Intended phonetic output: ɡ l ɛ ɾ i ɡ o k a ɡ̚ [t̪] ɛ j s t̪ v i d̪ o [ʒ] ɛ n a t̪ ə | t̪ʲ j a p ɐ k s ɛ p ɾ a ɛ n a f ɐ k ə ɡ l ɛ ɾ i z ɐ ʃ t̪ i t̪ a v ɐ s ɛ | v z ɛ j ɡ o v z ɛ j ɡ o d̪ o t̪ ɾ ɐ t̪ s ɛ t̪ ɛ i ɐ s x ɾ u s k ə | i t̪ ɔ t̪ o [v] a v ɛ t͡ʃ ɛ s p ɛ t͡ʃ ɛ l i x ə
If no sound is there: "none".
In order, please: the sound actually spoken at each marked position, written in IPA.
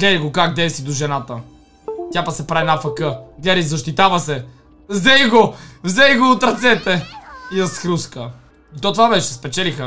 d̪, ʒ, v

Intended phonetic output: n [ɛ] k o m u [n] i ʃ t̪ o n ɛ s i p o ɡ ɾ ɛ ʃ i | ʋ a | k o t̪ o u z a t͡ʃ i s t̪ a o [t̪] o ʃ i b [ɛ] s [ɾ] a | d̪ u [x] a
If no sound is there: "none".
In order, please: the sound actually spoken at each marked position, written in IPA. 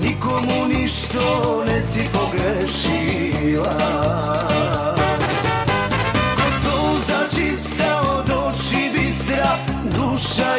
i, n, d̪, i, ɾ, ʃ

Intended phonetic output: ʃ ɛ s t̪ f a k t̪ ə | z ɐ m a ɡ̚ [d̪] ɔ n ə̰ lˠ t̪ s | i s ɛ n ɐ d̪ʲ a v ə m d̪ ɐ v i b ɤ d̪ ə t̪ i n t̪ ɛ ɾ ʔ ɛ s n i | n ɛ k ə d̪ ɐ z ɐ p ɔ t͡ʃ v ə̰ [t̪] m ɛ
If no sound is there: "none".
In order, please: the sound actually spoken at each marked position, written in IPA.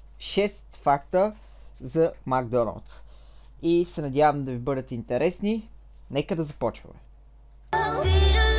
d̪, none

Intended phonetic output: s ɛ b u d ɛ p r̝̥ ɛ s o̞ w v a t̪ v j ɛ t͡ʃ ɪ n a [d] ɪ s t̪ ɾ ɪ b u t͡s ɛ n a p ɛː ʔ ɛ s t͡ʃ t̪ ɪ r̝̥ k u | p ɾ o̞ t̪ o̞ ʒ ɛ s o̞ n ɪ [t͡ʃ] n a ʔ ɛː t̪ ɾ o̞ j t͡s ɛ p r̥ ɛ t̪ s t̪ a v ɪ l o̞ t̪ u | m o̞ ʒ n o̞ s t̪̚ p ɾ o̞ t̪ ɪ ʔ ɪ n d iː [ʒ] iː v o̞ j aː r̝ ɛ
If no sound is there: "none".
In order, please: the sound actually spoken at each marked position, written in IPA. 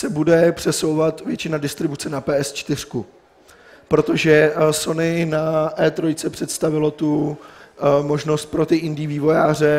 d, none, v

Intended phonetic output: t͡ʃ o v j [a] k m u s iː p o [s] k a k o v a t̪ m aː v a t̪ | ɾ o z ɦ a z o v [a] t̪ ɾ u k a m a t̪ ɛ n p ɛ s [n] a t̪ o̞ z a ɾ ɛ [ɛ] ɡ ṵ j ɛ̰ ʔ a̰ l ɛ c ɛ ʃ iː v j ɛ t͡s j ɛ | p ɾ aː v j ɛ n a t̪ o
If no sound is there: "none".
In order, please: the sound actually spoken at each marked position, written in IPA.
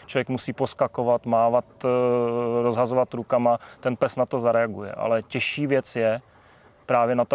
ɛ, s, a, n, a

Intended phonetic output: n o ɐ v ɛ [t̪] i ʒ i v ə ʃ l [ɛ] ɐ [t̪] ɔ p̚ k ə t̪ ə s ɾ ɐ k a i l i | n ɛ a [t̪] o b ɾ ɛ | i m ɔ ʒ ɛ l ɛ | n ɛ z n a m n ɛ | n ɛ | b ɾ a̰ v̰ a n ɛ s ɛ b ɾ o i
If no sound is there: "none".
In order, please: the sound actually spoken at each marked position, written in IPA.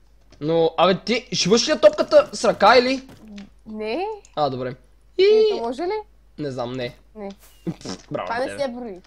t̪, i, t̪, d̪

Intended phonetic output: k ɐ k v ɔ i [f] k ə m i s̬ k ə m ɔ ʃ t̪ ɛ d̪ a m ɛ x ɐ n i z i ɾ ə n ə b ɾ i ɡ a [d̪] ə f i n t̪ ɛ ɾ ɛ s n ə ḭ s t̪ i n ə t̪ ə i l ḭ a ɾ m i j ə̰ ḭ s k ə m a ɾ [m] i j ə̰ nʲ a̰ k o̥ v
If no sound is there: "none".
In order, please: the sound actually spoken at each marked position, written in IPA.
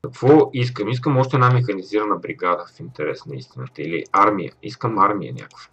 s, d̪, m

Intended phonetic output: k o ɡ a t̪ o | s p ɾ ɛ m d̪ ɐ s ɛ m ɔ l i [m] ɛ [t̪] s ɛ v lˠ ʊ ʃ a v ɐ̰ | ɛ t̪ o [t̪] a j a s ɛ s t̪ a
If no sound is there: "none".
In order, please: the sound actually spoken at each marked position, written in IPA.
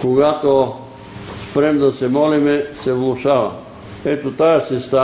m, none, t̪

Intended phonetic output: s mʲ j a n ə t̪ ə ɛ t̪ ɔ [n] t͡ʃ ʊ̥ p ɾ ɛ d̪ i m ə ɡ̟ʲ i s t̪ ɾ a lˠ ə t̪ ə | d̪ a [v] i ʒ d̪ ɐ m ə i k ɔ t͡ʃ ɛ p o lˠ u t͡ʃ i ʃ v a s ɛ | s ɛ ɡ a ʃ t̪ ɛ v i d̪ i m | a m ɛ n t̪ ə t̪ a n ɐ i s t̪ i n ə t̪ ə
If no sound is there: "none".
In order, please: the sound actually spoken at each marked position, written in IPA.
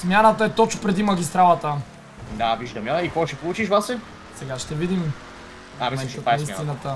none, v

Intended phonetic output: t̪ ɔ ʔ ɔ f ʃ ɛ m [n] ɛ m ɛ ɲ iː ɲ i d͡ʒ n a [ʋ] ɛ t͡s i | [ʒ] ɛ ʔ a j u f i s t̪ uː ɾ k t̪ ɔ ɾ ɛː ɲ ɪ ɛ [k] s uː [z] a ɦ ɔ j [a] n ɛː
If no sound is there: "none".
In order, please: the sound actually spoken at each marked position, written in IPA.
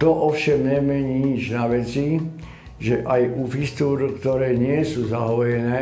ɲ, ʋ, ʒ, none, z, ɛ

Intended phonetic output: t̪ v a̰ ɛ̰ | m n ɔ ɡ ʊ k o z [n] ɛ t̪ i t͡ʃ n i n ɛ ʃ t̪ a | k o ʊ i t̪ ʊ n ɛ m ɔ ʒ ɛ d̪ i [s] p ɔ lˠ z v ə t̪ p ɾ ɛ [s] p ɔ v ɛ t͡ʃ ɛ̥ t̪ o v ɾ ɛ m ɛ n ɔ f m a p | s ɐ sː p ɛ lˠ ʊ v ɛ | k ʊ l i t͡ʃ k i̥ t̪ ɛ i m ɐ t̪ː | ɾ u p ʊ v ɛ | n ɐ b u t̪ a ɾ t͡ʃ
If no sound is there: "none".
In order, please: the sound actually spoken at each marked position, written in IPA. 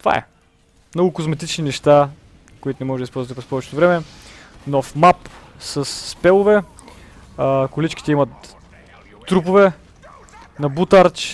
m, s, s

